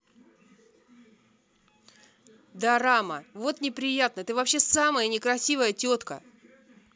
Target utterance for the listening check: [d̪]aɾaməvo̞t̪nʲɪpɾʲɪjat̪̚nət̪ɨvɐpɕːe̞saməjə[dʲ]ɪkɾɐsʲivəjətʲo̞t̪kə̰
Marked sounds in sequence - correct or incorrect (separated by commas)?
correct, incorrect